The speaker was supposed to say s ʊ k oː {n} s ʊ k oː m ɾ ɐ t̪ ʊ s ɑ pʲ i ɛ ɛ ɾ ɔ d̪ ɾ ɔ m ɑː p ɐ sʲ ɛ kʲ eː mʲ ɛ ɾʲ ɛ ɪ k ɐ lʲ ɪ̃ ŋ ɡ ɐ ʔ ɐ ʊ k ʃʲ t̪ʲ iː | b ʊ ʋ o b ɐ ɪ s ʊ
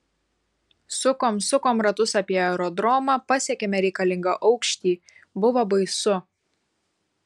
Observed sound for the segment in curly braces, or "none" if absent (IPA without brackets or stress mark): m